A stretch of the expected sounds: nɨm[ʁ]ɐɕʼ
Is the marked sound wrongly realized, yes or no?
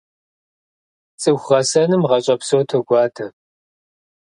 no